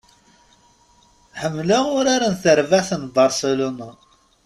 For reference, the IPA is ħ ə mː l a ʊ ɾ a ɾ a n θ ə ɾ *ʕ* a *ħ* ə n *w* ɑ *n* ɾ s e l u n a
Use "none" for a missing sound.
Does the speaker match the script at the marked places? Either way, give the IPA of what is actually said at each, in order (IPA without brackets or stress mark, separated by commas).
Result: v, θ, b, none